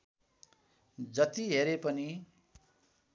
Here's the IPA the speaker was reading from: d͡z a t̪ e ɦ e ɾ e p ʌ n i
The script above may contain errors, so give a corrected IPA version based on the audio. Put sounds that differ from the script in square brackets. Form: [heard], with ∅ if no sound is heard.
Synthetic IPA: d͡z [ʌ] t̪ [i] ɦ e ɾ e p ʌ n i